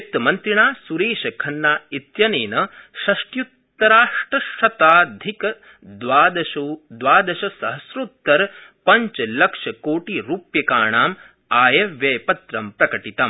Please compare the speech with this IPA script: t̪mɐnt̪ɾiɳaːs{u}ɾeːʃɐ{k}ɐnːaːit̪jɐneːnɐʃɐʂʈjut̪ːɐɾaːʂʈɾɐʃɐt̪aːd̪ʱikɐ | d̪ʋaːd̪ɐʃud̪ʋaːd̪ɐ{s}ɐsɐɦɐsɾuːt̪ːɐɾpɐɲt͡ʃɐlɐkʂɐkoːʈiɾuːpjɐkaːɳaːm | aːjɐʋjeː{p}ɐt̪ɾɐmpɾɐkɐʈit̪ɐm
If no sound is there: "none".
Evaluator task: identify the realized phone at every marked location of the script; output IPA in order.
u, kʰ, ʃ, p

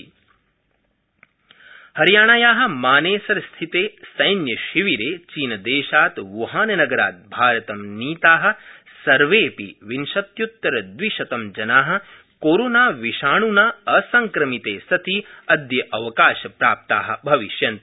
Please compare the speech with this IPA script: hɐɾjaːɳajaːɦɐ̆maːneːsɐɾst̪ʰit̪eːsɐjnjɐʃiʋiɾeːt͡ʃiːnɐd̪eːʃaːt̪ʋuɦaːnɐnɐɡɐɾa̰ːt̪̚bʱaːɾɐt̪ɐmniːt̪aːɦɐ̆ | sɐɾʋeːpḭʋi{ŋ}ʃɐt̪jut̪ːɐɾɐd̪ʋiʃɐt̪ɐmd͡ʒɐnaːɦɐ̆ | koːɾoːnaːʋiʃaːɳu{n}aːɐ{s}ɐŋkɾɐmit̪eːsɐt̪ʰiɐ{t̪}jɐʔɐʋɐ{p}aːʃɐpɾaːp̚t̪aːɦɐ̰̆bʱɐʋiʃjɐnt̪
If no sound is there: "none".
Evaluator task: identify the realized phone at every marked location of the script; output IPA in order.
n, n, s, d̪, k

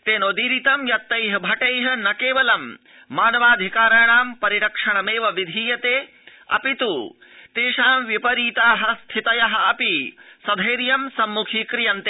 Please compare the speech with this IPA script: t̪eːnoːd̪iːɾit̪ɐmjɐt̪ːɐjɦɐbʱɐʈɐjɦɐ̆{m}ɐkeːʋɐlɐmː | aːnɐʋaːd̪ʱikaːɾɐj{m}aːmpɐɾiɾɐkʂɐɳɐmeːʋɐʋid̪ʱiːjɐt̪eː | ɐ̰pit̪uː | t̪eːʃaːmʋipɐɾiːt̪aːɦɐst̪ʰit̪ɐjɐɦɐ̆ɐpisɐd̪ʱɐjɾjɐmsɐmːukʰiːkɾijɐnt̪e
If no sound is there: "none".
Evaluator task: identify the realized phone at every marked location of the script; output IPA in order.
n, ɳ

